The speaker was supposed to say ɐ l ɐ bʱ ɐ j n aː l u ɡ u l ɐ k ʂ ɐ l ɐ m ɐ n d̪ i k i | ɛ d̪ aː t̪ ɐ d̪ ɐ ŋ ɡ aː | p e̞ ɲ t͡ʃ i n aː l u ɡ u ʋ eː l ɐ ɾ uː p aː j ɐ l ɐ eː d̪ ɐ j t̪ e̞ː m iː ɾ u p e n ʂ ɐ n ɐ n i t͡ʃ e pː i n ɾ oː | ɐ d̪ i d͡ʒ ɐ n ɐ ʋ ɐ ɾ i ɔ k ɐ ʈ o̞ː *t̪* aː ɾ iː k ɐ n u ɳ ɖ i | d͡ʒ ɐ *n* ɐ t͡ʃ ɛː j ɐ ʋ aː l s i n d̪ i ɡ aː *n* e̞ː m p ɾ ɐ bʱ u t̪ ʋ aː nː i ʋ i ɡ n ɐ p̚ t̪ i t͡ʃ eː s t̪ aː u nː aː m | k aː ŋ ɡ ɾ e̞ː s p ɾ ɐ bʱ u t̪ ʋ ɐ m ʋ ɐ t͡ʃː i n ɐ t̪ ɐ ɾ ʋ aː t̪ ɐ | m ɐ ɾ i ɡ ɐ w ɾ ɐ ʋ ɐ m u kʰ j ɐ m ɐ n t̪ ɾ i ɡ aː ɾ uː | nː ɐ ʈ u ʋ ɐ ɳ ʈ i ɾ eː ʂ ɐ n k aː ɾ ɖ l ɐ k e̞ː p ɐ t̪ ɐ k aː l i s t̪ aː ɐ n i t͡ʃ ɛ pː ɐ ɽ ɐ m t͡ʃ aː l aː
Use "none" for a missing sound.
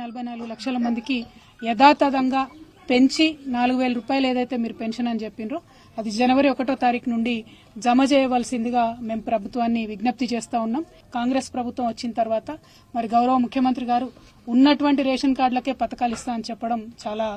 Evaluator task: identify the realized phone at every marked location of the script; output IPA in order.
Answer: t̪, m, m

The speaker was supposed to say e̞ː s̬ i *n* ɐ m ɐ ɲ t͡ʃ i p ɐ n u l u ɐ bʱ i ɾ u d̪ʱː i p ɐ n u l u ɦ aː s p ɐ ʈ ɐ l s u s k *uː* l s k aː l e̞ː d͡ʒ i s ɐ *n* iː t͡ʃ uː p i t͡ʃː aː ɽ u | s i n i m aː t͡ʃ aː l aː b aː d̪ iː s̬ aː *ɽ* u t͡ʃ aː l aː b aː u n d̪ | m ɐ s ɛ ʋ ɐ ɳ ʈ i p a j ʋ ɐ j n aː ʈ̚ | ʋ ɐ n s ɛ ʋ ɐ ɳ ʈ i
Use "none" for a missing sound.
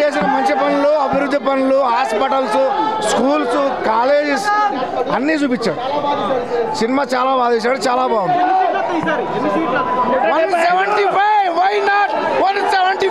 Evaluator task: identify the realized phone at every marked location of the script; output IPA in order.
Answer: n, uː, nː, ɽ

